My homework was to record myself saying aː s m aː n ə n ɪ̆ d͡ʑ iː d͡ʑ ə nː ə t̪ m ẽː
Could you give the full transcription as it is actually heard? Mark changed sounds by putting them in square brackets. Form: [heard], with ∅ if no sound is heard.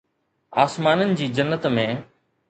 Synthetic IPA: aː s m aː n ə n ɪ̆ d͡ʑ iː d͡ʑ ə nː ə t̪ m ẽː